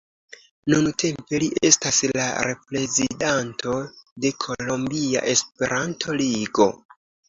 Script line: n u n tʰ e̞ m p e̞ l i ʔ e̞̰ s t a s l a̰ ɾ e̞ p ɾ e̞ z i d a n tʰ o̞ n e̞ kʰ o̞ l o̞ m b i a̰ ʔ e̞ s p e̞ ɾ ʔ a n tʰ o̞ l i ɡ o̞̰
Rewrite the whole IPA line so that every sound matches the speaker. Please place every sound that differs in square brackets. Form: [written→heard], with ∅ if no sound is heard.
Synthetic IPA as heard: n u n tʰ e̞ m p e̞ l i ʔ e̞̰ s t a s l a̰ ɾ e̞ p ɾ e̞ z i d a n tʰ o̞ [n→d] e̞ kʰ o̞ l o̞ m b i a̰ ʔ e̞ s p e̞ ɾ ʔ a n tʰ o̞ l i ɡ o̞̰